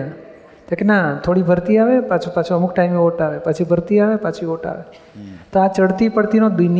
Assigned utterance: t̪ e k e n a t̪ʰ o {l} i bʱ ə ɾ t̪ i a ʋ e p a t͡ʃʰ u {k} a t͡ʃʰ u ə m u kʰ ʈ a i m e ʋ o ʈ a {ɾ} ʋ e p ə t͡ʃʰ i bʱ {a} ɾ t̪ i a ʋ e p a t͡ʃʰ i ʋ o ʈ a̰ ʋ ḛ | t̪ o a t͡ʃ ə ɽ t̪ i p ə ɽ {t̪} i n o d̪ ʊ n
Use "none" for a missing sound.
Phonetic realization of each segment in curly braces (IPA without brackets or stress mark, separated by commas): ɽ, p, none, ə, t̪